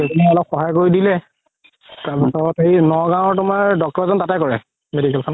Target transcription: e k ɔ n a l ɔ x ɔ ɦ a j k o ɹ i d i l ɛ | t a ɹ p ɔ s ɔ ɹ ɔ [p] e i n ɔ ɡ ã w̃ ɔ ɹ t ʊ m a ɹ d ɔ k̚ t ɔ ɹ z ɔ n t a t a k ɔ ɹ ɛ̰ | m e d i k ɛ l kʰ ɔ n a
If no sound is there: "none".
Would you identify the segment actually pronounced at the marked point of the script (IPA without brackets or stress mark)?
t